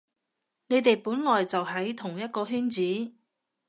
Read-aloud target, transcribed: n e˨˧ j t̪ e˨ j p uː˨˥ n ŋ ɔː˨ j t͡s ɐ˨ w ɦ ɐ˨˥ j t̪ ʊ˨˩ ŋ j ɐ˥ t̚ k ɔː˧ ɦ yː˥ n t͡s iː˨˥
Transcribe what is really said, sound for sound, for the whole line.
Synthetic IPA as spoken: n e˨˧ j t̪ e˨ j p uː˨˥ n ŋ ɔː˨ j t͡s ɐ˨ w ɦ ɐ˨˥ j t̪ʰ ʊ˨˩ ŋ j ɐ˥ t̚ k ɔː˧ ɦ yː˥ n t͡s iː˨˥